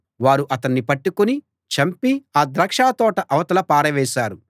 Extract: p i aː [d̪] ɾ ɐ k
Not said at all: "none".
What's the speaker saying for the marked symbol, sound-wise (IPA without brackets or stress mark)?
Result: d̪